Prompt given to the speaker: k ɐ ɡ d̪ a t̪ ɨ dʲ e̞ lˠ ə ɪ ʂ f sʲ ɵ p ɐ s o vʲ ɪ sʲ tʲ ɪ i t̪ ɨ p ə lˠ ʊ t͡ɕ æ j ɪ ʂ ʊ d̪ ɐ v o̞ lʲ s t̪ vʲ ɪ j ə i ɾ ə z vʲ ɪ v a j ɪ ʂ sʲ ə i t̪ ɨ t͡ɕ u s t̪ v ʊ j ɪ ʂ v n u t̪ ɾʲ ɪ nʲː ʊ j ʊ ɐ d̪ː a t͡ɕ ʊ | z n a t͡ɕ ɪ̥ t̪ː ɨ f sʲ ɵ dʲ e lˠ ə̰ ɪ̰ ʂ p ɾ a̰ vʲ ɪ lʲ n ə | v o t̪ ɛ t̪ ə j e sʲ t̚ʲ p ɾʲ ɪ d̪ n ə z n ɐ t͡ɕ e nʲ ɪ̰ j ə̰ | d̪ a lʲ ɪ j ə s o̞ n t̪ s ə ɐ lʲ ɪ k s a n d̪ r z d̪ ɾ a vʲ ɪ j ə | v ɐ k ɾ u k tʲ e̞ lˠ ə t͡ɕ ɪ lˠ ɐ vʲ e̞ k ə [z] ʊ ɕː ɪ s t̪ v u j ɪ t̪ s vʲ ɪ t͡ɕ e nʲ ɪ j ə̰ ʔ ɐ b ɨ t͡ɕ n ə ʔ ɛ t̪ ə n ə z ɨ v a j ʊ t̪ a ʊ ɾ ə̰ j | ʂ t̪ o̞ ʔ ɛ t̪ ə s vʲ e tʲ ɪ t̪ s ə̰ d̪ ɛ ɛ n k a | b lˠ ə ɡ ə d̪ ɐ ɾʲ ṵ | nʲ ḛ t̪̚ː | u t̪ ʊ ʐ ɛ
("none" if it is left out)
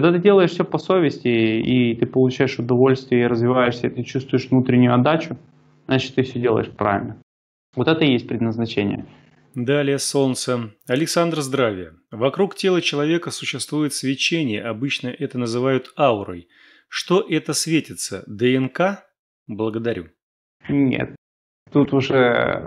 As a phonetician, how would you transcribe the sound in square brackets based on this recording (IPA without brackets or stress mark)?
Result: s